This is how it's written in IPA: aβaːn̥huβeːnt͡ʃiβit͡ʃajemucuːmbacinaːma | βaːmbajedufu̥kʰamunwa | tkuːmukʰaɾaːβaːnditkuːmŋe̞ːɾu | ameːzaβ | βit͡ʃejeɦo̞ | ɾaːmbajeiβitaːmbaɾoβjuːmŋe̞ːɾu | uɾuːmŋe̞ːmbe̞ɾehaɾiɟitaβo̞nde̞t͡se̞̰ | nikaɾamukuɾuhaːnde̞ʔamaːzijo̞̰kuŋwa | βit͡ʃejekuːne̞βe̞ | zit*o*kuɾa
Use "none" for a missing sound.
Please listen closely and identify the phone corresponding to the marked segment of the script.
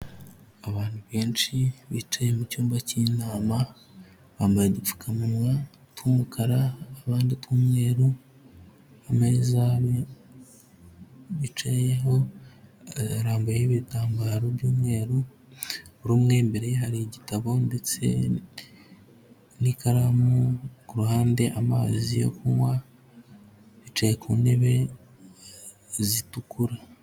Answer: u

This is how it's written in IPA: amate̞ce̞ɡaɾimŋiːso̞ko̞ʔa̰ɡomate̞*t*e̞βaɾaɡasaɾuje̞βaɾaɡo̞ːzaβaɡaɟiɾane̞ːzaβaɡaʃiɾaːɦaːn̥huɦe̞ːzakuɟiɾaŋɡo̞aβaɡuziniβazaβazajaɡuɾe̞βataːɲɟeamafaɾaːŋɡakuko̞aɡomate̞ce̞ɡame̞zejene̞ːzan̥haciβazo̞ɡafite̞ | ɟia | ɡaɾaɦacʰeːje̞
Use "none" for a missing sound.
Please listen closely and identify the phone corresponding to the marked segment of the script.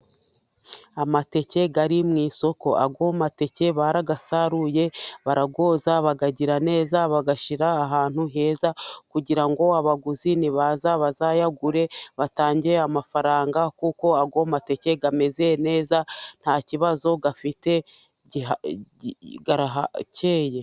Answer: c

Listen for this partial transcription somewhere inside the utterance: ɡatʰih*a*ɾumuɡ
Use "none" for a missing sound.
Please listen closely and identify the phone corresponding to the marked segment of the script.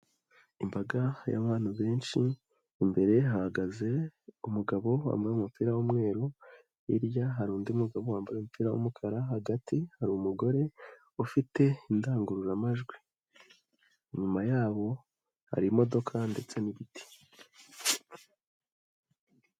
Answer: a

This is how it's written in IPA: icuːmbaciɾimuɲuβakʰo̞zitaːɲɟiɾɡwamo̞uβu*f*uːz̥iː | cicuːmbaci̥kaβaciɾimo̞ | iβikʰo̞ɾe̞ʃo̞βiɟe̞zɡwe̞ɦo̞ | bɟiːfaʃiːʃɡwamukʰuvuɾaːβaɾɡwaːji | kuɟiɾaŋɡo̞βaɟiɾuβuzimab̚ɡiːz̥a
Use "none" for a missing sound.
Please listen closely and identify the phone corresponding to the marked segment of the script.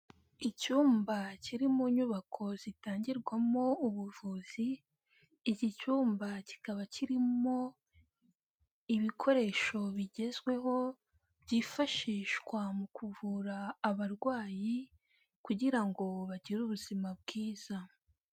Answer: v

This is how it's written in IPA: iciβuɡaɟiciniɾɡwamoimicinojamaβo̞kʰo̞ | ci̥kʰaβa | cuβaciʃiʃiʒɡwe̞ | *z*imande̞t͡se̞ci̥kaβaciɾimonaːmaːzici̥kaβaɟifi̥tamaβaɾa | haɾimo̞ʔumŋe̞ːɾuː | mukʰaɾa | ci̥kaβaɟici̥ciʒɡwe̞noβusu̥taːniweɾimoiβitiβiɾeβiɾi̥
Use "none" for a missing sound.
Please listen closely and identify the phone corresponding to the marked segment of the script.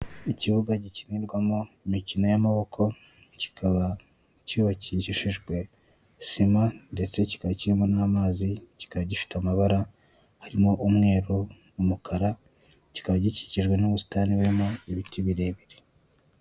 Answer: s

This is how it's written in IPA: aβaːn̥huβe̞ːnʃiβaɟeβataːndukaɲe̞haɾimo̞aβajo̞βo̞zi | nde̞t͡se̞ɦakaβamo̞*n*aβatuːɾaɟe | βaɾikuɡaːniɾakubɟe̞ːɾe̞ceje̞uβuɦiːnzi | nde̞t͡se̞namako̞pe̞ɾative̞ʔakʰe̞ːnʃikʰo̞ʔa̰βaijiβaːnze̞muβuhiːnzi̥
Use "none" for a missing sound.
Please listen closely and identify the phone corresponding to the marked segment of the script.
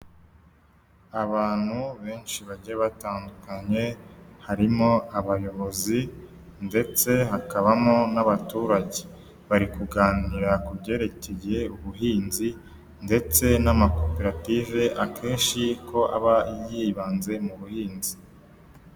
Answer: n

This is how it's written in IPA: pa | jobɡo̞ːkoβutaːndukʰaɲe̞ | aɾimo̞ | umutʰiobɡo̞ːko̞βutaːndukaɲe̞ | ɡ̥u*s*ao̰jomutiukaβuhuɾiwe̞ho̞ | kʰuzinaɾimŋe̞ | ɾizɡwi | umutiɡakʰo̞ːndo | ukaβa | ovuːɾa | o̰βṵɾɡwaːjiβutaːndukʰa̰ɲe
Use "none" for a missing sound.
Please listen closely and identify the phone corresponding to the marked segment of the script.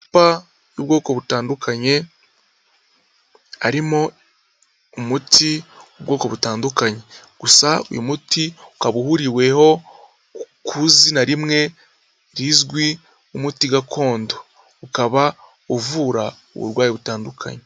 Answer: s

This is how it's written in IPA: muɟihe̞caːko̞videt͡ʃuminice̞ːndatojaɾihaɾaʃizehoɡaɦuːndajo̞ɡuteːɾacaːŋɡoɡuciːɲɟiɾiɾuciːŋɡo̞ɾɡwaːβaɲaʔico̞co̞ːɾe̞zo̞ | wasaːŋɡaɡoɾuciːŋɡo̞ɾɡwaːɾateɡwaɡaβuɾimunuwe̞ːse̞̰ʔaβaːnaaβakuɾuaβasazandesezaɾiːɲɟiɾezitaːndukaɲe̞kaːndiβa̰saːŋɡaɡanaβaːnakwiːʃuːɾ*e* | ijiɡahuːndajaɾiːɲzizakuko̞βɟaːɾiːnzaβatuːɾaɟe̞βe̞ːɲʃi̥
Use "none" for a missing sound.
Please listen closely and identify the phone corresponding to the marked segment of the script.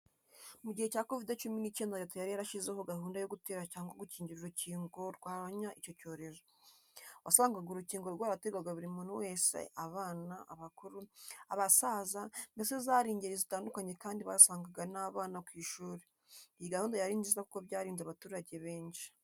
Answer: e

